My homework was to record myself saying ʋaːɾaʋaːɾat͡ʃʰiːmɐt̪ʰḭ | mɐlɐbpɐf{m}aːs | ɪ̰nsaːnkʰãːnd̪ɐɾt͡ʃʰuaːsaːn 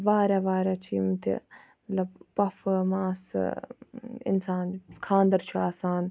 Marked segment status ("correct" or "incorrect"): correct